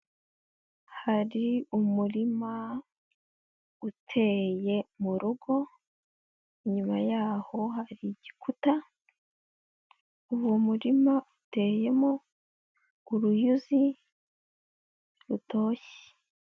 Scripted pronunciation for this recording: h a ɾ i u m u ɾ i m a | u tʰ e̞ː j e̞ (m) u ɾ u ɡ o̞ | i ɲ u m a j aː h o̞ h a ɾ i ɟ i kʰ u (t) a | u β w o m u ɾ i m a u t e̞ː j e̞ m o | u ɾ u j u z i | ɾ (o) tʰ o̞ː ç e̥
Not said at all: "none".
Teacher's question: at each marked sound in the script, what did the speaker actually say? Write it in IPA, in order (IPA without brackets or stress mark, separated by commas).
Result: m, t, u